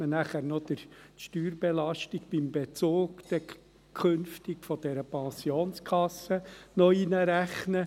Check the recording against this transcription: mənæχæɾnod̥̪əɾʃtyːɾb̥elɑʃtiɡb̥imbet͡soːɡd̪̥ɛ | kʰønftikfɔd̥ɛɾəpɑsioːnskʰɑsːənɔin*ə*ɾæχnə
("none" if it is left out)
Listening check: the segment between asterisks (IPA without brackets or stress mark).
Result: ə